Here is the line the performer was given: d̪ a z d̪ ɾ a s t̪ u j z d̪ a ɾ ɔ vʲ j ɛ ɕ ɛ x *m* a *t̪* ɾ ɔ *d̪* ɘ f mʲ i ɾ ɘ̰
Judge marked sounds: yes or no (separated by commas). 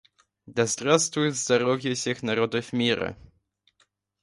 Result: no, no, yes